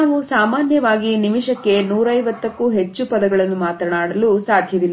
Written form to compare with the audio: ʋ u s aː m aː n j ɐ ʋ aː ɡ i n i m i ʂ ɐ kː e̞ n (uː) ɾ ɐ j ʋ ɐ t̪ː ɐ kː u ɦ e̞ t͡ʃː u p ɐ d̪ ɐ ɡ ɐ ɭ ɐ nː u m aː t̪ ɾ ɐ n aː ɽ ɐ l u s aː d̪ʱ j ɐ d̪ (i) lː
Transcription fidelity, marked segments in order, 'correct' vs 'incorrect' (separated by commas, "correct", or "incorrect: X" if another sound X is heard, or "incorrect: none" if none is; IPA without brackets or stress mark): correct, correct